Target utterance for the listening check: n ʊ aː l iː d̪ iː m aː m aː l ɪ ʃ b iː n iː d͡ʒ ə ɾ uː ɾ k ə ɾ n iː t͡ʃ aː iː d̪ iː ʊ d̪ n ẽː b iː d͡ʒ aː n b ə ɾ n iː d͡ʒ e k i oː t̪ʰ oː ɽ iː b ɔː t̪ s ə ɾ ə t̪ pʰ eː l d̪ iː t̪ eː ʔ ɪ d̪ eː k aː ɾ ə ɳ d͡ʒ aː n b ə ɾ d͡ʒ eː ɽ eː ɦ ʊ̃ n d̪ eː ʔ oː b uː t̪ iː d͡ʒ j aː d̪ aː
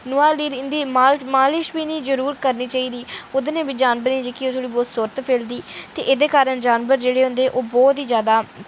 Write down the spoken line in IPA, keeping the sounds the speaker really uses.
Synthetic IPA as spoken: n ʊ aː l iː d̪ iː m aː m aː l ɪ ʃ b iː n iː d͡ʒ ə ɾ uː ɾ k ə ɾ n iː t͡ʃ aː iː d̪ iː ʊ d̪ n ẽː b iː d͡ʒ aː n b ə ɾ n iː d͡ʒ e k i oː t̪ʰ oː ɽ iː b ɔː t̪ s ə ɾ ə t̪ pʰ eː l d̪ iː t̪ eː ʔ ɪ d̪ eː k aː ɾ ə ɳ d͡ʒ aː n b ə ɾ d͡ʒ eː ɽ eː ɦ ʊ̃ n d̪ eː ʔ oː b ɔː t̪ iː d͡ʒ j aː d̪ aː